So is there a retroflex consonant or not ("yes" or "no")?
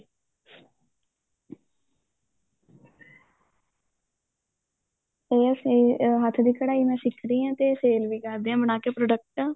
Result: yes